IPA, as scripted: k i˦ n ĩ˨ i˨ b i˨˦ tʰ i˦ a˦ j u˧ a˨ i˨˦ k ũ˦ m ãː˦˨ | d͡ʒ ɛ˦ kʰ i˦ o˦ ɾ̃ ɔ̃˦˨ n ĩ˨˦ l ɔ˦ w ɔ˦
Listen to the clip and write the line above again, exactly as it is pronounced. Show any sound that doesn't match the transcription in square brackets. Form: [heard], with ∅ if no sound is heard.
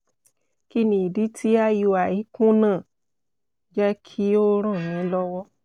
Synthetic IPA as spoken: k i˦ n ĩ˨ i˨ [d] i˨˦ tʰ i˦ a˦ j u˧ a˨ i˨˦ k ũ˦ [n] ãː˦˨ | d͡ʒ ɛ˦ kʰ i˦ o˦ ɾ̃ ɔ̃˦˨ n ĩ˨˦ l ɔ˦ w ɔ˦